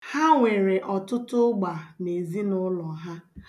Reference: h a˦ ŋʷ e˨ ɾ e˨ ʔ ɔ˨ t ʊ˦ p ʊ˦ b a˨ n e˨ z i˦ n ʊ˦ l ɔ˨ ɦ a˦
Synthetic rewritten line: h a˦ ŋʷ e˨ ɾ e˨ ʔ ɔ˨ t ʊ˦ t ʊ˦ ɡ͡b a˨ n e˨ z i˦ n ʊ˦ l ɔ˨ ɦ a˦

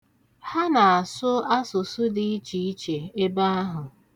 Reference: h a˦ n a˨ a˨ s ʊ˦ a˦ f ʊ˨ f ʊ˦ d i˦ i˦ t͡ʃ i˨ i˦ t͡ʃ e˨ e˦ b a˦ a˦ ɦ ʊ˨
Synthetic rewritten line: h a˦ n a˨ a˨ s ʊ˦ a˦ s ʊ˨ s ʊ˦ d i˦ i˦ t͡ʃ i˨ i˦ t͡ʃ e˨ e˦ b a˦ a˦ ɦ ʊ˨

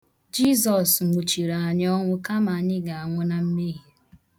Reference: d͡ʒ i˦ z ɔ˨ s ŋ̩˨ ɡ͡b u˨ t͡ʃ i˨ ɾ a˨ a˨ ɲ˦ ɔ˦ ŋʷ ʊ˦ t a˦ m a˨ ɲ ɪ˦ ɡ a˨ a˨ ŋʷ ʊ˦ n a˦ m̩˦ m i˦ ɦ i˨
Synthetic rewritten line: d͡ʒ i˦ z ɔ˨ s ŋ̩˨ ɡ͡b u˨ t͡ʃ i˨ ɾ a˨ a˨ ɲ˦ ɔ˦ ŋʷ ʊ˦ k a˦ m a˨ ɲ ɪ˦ ɡ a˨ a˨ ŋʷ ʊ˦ n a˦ m̩˦ m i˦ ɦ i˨

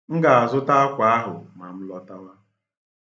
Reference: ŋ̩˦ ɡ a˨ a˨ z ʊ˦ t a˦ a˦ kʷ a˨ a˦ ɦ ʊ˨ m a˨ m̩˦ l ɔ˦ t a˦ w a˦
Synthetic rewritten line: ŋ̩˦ ɡ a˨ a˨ z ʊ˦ t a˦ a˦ kʷ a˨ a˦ ɦ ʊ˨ m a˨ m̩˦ l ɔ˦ t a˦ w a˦

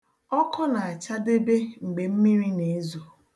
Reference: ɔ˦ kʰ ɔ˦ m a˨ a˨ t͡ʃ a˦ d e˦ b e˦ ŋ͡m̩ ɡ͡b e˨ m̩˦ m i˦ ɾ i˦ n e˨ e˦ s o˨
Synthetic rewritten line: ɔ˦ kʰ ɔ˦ n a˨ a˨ t͡ʃ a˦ d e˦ b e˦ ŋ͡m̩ ɡ͡b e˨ m̩˦ m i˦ ɾ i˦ n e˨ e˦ z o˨

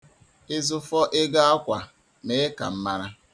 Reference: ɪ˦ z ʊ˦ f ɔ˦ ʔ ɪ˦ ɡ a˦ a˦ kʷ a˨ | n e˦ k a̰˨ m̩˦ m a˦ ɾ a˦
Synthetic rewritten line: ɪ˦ z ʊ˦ f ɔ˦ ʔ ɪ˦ ɡ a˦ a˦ kʷ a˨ | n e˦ k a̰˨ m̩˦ m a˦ ɾ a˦

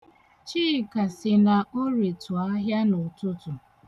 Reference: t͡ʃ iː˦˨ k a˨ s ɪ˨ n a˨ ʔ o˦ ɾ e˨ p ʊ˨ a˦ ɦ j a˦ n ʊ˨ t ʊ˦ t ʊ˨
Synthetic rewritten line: t͡ʃ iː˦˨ k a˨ s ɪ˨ n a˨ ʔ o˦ ɾ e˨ t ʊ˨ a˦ ɦ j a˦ n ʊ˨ t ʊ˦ t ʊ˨

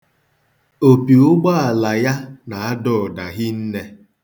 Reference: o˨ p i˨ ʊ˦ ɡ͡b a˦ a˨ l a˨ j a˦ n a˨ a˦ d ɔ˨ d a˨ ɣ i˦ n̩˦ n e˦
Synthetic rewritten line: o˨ p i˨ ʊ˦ ɡ͡b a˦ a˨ l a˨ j a˦ n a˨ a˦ d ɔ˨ d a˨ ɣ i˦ n̩˦ n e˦

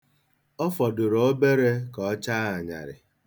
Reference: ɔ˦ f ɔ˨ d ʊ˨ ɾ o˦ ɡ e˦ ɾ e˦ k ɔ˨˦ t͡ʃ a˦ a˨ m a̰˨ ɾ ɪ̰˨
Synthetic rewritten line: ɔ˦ f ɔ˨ d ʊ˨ ɾ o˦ b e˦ ɾ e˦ k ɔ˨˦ t͡ʃ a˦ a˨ ɲ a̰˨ ɾ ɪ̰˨

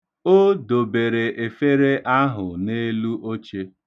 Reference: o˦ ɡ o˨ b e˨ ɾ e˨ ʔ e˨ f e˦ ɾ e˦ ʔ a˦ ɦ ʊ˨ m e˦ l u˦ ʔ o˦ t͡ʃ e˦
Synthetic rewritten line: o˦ d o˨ b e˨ ɾ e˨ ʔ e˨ f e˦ ɾ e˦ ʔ a˦ ɦ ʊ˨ n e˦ l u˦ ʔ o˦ t͡ʃ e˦

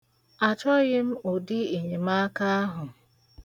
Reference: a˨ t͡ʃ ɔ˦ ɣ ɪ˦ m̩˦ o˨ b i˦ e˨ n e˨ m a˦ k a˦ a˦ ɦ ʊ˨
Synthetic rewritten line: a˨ t͡ʃ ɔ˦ ɣ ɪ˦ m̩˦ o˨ d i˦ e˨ ɲ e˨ m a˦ k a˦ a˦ ɦ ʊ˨

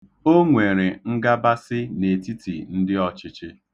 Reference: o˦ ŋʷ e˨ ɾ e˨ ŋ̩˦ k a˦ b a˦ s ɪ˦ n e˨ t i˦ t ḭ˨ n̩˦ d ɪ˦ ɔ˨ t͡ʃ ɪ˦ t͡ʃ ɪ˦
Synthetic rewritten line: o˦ ŋʷ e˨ ɾ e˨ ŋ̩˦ ɡ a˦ b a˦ s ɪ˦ n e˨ t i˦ t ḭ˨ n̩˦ d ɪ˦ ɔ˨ t͡ʃ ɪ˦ t͡ʃ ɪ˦

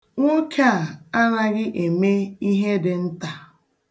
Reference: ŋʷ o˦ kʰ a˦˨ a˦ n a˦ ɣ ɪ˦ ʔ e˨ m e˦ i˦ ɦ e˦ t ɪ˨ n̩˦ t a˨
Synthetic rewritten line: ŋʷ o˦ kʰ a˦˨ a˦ n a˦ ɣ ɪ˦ ʔ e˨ m e˦ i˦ ɦ e˦ d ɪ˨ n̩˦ t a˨

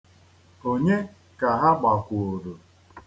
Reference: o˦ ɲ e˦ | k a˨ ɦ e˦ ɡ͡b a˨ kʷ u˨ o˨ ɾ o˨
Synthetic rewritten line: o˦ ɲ e˦ | k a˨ ɦ a˦ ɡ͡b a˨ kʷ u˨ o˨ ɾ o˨

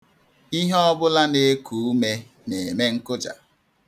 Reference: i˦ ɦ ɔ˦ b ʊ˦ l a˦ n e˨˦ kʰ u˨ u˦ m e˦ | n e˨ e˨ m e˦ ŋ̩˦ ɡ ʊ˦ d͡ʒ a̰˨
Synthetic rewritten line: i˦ ɦ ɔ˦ b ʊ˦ l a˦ n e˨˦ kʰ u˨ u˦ m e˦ | n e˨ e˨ m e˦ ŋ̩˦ k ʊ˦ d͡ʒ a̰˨

